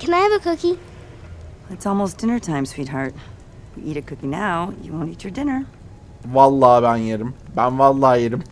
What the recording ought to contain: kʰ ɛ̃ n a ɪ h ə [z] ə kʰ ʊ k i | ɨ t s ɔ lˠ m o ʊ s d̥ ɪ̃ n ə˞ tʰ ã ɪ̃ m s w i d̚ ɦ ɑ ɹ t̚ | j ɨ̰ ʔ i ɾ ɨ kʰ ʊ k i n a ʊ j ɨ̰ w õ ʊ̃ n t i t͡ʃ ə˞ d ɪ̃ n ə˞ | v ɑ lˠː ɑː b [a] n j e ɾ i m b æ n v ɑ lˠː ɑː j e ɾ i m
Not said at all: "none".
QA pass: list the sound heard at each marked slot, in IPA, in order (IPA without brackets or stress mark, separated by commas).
v, æ